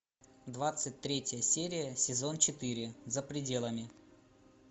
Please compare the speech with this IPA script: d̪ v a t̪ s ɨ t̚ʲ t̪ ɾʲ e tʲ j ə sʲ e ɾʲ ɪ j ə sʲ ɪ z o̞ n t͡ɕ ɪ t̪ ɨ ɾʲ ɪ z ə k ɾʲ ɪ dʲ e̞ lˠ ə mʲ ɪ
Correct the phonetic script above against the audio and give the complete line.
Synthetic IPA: d̪ v a t̪ s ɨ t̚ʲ t̪ ɾʲ e tʲ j ə sʲ e ɾʲ ɪ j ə sʲ ɪ z o̞ n t͡ɕ ɪ t̪ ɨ ɾʲ ɪ z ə p ɾʲ ɪ dʲ e̞ lˠ ə mʲ ɪ